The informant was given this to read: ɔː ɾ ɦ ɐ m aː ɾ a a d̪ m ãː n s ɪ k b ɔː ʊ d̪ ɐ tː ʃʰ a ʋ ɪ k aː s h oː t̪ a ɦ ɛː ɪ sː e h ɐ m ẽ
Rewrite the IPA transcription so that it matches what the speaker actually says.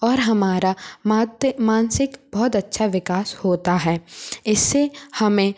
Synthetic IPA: ɔː ɾ ɦ ɐ m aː ɾ a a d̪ m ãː n s ɪ k b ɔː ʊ t̪ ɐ tː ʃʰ a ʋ ɪ k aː s h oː t̪ a ɦ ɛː ɪ sː e h ɐ m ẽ